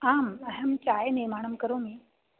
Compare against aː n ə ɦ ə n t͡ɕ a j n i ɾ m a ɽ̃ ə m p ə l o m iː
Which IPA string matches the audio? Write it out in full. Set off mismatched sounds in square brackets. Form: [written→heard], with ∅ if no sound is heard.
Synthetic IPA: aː [n→m] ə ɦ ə [n→m] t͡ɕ a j n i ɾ m a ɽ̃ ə m [p→k] ə [l→ɾ] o m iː